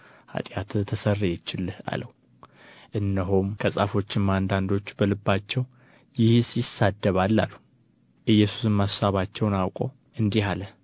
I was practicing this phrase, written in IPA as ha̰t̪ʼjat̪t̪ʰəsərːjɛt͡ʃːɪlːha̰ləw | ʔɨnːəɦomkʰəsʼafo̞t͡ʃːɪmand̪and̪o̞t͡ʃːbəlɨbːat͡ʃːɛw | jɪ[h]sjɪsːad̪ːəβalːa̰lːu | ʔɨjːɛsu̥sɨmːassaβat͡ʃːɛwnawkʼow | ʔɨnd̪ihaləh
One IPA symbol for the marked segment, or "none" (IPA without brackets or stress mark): h